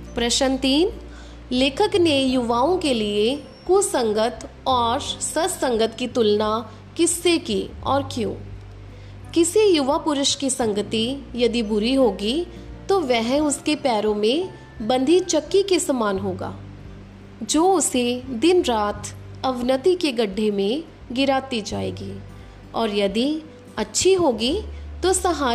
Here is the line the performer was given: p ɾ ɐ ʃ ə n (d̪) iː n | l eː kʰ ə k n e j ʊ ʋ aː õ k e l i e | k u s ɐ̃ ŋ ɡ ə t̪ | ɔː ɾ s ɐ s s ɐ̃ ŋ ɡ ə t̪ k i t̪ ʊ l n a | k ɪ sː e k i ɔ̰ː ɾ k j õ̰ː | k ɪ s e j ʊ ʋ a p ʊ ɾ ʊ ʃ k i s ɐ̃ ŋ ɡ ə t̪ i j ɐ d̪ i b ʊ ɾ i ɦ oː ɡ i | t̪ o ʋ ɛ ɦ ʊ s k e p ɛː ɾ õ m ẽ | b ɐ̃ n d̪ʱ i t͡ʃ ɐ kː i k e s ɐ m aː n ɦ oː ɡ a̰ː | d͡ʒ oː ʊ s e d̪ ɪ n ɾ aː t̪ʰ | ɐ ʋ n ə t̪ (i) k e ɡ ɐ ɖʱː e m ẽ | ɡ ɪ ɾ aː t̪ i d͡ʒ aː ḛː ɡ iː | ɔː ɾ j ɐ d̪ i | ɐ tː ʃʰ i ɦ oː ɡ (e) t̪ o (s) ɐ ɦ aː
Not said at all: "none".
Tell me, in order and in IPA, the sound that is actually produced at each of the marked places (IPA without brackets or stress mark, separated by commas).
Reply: t̪, i, i, s